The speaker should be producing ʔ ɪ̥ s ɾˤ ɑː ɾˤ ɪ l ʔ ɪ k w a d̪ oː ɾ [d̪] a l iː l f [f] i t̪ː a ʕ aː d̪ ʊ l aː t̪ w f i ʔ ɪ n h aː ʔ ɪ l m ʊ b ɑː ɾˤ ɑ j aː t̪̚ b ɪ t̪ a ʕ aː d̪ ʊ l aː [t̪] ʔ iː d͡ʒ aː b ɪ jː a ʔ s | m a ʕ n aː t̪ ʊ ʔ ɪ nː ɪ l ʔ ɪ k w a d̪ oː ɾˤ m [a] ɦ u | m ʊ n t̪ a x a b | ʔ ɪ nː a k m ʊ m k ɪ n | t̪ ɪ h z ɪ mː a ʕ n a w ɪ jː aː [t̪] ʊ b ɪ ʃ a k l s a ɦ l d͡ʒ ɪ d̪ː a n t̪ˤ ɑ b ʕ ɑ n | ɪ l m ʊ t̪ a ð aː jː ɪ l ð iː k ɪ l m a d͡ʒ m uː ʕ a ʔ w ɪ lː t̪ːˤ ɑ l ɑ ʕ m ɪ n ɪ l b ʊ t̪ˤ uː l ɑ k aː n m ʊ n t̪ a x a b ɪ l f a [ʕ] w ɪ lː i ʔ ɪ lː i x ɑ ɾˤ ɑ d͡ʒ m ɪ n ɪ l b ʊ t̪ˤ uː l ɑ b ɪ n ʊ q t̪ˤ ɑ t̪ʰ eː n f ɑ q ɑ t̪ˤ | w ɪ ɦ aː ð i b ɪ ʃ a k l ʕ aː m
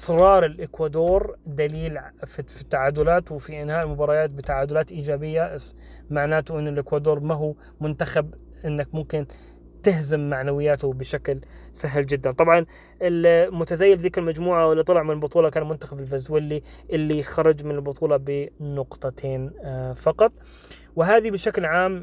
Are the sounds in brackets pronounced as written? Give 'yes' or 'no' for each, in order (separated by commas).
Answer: yes, yes, yes, yes, yes, no